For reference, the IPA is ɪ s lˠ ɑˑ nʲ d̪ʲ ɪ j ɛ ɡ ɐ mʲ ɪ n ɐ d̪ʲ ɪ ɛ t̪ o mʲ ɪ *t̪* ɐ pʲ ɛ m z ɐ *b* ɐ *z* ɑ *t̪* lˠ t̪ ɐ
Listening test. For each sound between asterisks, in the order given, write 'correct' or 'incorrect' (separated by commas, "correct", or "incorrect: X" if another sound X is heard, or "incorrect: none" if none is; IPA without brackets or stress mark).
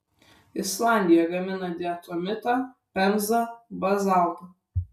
correct, correct, correct, incorrect: none